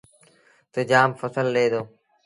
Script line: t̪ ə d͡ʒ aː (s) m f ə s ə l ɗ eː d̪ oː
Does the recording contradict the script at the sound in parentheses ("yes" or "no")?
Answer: yes